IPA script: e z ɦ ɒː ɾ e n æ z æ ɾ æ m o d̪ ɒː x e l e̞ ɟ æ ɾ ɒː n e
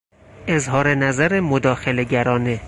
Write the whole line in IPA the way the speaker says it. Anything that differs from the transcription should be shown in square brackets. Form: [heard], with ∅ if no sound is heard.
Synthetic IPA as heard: e z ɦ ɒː ɾ e n æ z æ ɾ [e] m o d̪ ɒː x e l e̞ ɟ æ ɾ ɒː n e